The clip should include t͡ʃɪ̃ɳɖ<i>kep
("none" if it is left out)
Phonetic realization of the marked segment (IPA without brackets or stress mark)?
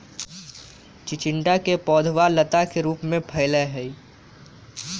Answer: a